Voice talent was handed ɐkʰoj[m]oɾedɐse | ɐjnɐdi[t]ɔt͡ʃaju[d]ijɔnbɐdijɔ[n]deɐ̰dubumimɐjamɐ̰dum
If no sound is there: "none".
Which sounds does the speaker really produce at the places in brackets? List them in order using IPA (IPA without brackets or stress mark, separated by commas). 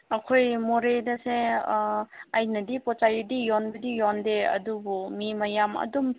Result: m, p, d, n